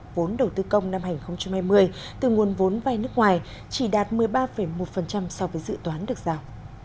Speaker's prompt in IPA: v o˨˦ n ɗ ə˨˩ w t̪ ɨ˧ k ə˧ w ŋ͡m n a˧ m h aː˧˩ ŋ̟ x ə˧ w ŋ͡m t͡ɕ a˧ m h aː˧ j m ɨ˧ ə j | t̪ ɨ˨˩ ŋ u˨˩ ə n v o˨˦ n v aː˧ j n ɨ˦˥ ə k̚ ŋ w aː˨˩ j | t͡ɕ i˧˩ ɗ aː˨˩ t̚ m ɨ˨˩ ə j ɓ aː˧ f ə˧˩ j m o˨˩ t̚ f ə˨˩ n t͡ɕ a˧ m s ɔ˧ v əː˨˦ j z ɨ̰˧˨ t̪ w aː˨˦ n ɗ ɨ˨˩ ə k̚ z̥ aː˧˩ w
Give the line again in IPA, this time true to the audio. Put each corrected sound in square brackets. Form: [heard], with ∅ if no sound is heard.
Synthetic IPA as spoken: v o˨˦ n ɗ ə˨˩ w t̪ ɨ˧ k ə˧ w ŋ͡m n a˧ m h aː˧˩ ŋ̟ x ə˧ w ŋ͡m t͡ɕ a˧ m h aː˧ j m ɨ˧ ə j | t̪ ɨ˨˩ ŋ u˨˩ ə n v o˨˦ n v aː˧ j n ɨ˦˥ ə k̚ ŋ w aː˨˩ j | t͡ɕ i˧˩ ɗ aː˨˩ t̚ m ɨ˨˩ ə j ɓ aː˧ f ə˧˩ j m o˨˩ t̚ f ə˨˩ n t͡ɕ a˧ m s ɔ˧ v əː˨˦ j z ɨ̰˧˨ t̪ w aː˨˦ n ɗ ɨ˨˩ ə k̚ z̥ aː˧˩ w